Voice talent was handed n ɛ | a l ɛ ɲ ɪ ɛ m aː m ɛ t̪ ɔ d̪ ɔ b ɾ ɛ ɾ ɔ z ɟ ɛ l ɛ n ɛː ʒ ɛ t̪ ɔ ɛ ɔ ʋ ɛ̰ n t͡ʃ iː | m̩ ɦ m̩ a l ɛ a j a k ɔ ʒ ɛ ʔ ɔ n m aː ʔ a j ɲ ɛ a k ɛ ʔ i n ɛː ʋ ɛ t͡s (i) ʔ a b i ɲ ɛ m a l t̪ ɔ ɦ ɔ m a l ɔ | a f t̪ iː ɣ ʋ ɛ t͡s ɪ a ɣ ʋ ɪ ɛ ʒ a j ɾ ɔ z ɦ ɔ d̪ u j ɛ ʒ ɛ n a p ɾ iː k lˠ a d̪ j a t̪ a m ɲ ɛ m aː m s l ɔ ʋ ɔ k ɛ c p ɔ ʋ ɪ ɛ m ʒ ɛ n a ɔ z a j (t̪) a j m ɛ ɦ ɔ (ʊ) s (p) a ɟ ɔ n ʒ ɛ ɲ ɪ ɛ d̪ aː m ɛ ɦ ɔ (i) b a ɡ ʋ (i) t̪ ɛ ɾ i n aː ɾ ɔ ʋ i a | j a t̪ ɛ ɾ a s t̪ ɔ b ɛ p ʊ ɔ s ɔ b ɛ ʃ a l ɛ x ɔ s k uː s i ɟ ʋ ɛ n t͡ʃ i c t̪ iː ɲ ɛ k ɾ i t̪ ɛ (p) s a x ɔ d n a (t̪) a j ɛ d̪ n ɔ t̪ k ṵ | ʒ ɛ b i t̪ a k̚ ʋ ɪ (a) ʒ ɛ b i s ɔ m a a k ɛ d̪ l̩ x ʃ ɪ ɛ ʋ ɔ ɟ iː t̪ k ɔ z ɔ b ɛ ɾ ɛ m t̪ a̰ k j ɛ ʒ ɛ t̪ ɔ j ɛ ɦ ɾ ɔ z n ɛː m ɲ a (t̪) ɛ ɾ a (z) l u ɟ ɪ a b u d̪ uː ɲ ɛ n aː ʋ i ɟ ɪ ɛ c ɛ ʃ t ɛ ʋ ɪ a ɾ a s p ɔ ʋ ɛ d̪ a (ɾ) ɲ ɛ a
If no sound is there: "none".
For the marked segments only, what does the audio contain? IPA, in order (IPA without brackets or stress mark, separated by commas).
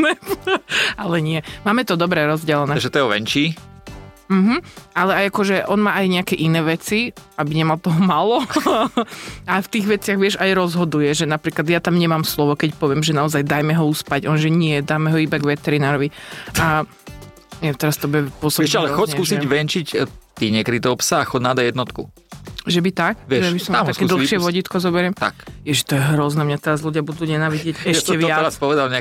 i, d̪, u, p, i, ɛ, p, d̪, ɛ, t̪, z, l